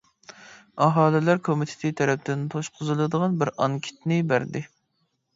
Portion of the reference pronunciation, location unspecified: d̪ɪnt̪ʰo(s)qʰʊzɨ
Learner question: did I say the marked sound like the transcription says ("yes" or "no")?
no